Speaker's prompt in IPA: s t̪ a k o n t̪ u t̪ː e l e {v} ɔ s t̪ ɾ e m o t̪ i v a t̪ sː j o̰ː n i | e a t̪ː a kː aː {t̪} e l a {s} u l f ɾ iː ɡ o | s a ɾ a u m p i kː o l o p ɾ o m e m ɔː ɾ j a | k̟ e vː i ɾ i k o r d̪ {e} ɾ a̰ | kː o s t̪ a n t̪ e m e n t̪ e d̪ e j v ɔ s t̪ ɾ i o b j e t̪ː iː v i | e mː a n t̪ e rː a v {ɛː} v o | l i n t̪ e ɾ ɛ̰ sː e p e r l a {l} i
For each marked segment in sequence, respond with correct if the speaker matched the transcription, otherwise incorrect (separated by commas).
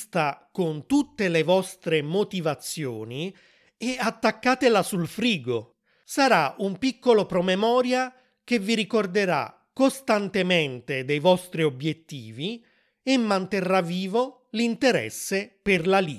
correct, correct, correct, correct, incorrect, correct